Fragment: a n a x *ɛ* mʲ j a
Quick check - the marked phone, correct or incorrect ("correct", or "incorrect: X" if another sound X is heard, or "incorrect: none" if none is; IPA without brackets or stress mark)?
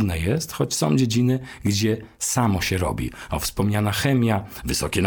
correct